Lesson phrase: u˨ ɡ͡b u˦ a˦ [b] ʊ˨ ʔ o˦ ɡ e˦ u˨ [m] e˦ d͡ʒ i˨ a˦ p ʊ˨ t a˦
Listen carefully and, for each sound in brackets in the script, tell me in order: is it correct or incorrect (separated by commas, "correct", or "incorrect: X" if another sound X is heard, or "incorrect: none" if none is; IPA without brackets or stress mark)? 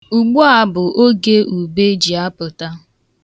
correct, incorrect: b